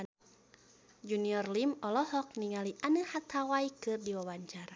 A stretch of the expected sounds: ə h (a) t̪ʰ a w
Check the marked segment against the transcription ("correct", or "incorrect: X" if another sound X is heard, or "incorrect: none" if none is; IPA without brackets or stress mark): correct